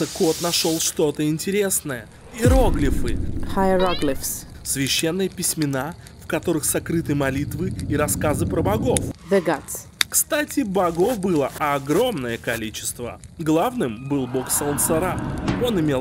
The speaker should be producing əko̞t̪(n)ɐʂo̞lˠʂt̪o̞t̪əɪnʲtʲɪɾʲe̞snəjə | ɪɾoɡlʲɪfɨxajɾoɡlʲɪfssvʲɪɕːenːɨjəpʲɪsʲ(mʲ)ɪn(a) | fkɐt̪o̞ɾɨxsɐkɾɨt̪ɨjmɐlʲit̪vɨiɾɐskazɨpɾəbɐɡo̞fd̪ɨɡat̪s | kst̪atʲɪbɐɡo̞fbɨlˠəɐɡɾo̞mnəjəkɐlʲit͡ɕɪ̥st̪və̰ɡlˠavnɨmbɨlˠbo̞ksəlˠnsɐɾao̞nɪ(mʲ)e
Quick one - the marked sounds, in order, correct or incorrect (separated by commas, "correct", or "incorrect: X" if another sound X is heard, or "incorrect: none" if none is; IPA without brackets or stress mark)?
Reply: correct, correct, correct, correct